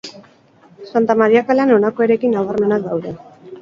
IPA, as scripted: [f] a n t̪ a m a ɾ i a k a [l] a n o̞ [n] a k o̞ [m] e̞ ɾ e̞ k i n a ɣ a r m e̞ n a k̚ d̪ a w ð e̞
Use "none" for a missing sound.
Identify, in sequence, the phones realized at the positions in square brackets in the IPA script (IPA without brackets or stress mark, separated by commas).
s, l, n, none